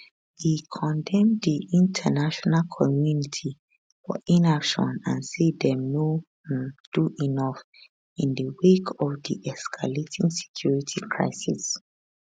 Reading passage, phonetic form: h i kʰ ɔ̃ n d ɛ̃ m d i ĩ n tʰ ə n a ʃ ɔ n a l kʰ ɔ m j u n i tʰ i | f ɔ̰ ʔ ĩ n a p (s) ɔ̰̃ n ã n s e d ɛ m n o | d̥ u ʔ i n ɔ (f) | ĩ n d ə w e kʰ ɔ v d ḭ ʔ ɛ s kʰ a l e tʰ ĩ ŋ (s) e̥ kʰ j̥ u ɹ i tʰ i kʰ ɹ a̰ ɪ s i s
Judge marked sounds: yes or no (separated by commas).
no, yes, yes